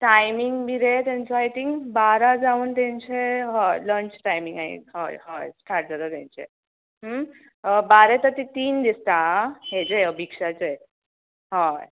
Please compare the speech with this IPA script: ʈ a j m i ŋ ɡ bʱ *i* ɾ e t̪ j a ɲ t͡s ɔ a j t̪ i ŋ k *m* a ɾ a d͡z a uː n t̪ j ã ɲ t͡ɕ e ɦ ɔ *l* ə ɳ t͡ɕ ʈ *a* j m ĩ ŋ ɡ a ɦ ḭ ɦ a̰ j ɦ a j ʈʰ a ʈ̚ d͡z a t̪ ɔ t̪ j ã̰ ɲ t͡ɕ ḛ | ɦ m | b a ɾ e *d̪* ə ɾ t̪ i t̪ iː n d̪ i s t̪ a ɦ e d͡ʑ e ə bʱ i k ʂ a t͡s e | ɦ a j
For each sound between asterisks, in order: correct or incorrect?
correct, incorrect: b, correct, correct, incorrect: t̪

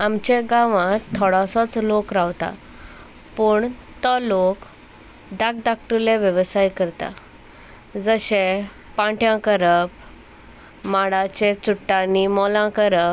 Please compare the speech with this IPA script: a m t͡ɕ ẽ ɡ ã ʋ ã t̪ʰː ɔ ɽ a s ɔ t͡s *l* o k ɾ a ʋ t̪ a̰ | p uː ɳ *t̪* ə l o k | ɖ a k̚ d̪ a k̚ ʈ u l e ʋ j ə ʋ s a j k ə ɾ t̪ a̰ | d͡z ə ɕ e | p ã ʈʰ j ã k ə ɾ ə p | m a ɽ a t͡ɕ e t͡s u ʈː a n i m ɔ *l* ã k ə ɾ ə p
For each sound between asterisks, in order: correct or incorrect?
correct, correct, correct

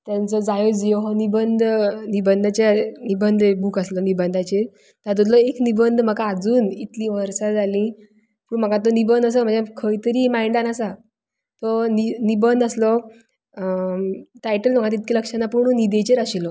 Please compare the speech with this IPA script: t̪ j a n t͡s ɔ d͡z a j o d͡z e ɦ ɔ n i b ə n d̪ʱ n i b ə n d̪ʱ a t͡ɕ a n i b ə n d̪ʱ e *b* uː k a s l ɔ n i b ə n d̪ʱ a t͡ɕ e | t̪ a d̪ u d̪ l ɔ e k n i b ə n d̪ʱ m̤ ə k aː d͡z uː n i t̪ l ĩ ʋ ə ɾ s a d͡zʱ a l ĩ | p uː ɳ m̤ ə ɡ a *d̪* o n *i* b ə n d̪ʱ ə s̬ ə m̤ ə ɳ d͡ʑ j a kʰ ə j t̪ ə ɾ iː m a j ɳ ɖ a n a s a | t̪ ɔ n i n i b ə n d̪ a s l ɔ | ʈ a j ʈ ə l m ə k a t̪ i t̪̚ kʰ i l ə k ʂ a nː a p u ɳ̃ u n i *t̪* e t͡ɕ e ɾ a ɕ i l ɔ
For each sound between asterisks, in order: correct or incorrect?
correct, incorrect: t̪, correct, incorrect: d̪

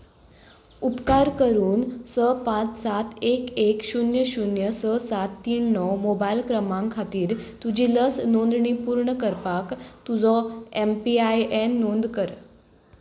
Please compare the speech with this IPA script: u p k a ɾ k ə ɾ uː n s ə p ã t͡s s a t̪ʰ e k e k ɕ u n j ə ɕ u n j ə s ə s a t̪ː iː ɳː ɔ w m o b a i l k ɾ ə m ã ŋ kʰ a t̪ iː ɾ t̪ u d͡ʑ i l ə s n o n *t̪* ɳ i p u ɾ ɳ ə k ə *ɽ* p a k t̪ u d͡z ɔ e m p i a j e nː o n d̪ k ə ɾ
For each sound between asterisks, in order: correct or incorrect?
incorrect: d̪, incorrect: ɾ

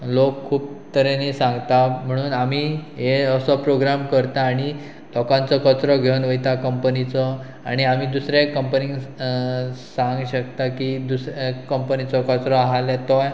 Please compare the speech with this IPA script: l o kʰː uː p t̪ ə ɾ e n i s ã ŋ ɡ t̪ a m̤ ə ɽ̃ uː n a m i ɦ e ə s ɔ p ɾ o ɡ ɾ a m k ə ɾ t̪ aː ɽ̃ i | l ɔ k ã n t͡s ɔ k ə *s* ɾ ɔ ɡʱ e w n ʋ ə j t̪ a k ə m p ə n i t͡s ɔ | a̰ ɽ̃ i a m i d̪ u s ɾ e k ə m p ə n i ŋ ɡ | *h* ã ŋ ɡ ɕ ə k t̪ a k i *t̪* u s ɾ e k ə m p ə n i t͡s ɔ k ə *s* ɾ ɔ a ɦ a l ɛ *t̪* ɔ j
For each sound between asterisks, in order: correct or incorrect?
incorrect: t͡s, incorrect: s, incorrect: d̪, incorrect: t͡s, correct

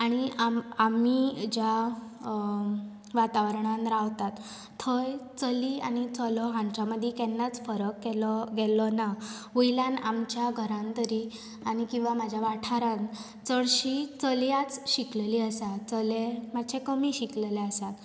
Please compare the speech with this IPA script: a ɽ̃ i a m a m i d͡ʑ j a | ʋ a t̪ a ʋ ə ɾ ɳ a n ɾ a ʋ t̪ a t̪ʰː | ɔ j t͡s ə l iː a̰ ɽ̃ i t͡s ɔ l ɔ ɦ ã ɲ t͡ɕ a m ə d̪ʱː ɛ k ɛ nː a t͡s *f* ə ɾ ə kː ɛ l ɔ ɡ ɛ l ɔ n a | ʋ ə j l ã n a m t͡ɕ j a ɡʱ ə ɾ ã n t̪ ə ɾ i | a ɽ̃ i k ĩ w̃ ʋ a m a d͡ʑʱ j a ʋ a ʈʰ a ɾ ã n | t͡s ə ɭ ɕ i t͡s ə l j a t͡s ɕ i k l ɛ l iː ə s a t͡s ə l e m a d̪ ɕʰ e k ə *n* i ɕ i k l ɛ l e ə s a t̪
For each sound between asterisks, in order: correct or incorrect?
correct, incorrect: m

